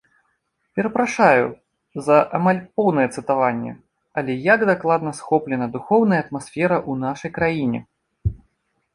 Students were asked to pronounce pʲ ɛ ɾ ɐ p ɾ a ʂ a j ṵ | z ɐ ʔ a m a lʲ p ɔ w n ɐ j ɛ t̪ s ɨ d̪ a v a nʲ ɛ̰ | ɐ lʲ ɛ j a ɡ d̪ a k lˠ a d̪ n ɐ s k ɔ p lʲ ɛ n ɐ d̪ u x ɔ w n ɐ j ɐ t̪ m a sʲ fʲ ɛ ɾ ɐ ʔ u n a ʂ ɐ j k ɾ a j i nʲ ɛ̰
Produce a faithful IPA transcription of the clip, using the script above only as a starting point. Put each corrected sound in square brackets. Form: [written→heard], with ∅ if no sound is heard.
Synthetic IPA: pʲ ɛ ɾ ɐ p ɾ a ʂ a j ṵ | z ɐ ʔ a m a lʲ p ɔ w n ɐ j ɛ t̪ s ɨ [d̪→t̪] a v a [nʲ→nʲː] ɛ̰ | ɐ lʲ ɛ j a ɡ d̪ a k lˠ a d̪ n ɐ s [k→x] ɔ p lʲ ɛ n ɐ d̪ u x ɔ w n ɐ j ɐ t̪ m a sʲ fʲ ɛ ɾ ɐ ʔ u n a ʂ ɐ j k ɾ a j i nʲ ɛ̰